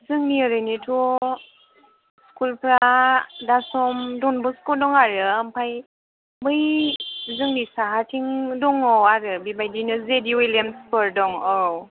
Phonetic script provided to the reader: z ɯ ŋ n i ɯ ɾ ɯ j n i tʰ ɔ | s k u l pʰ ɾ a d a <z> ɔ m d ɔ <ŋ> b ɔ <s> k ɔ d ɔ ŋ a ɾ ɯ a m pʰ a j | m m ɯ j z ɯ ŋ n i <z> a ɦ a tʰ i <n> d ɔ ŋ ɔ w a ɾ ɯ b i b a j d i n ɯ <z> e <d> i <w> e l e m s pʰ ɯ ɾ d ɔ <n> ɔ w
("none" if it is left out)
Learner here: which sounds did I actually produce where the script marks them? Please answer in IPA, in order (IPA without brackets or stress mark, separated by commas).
s, n, s, s, ŋ, z, d, w, ŋ